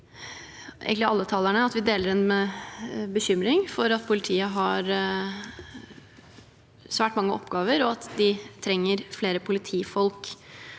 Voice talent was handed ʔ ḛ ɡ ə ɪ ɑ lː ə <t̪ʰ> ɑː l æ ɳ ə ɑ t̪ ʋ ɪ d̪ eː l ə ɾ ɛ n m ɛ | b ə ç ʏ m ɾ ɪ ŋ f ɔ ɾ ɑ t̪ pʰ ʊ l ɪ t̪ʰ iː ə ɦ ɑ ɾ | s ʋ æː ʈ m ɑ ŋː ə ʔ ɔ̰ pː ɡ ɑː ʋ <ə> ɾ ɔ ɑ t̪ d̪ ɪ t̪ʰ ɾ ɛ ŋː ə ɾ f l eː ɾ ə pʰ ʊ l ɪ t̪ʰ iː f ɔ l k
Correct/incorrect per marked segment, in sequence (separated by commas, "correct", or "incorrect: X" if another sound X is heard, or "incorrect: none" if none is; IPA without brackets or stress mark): correct, correct